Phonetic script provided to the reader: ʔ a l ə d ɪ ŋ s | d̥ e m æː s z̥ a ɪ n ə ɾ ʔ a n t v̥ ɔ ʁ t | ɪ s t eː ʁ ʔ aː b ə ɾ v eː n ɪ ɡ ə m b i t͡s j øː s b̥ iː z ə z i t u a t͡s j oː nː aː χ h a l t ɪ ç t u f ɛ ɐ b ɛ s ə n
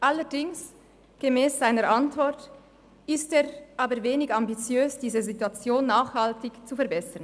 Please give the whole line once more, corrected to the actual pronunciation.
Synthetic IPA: ʔ a l ə d ɪ ŋ s | ɡ̥ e m ɛː s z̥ a ɪ n ə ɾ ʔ a n t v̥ ɔ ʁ t | ɪ s t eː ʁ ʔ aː b ə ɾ v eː n ɪ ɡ a m b i t͡s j øː s d̥ iː z ə z i t u a t͡s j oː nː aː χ h a l t ɪ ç t͡s u f ɛ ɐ b ɛ s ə n